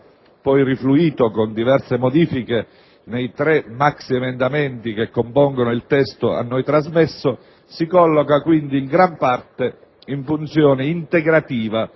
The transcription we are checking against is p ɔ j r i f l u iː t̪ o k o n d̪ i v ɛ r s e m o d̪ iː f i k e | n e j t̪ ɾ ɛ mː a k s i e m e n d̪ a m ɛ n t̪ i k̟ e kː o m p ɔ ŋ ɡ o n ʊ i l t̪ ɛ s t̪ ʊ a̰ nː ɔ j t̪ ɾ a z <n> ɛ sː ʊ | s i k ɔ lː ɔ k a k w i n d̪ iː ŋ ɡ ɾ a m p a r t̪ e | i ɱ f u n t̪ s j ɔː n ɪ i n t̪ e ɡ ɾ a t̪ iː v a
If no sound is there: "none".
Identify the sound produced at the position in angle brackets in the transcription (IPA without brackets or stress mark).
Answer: m